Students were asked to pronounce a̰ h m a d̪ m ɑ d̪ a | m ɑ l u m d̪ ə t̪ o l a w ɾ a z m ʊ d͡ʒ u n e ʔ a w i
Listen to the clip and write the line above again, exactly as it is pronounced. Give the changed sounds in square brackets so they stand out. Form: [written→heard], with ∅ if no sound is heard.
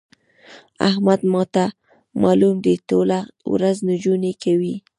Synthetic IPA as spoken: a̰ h m a d̪ m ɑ [d̪→t̪] a | m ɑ l u m d̪ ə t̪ o l a w ɾ a z [m→n] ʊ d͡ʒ u n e [ʔ→k] a w i